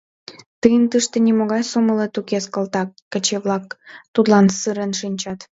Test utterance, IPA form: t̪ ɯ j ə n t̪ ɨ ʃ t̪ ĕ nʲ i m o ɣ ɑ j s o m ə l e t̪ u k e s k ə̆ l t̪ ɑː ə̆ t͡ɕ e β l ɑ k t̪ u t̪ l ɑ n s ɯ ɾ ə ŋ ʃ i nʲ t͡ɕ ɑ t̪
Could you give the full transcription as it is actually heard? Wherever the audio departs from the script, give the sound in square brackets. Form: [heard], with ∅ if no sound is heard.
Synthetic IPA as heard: t̪ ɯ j ə n t̪ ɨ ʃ t̪ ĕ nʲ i m o ɣ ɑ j s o m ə l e t̪ u k e s k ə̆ l t̪ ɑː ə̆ t͡ɕ e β l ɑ k t̪ u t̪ l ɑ n s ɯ ɾ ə [n] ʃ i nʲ t͡ɕ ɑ t̪